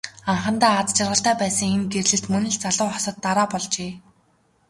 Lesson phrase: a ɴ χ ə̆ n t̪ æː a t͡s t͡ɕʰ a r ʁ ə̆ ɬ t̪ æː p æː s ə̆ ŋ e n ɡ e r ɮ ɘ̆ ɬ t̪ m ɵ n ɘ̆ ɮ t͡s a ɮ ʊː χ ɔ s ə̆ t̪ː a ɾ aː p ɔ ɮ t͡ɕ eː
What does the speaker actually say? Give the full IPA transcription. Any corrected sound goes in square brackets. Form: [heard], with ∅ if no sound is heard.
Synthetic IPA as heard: a ɴ χ ə̆ n t̪ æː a t͡s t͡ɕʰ a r ʁ ə̆ ɬ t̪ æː p æː s ə̆ ŋ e n ɡ e r ɮ ɘ̆ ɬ t̪ m ɵ n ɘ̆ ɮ t͡s a ɮ ʊː χ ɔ s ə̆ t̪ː a ɾ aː p ɔ ɮ t͡ɕ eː